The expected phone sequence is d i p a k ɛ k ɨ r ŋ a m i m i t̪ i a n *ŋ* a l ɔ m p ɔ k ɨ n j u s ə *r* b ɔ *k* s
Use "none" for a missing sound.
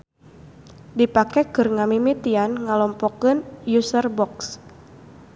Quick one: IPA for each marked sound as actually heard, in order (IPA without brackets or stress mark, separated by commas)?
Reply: ŋ, r, k